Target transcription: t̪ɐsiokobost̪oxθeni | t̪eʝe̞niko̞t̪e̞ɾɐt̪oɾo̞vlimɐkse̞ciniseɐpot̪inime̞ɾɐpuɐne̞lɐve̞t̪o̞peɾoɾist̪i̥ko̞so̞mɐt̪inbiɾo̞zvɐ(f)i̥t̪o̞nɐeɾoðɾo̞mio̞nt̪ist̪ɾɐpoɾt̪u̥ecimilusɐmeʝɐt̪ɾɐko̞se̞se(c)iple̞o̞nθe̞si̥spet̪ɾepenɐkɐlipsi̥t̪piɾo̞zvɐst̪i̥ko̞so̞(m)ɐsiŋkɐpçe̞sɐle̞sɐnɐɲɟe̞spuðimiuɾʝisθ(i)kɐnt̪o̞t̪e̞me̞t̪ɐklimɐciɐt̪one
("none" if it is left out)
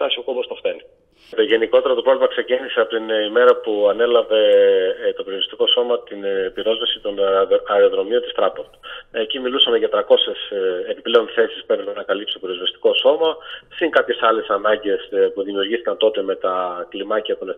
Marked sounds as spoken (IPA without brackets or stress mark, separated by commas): s, p, m, i